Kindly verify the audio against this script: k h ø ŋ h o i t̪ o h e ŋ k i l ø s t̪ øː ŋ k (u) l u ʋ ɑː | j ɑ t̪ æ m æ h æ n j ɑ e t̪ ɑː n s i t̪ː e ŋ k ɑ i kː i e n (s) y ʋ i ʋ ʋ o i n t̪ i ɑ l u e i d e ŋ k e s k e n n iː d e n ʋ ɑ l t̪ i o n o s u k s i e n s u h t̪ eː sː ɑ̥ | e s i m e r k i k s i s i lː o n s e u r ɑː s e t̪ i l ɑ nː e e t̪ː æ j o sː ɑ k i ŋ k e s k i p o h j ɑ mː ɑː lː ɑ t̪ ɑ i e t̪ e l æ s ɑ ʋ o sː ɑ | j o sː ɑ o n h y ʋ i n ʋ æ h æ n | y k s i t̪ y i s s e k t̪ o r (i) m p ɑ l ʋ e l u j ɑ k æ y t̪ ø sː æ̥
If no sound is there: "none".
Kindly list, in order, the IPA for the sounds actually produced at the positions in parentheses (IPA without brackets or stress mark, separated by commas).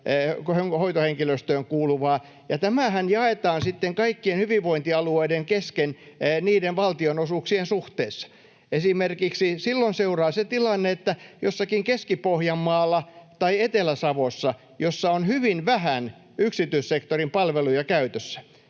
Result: uː, h, i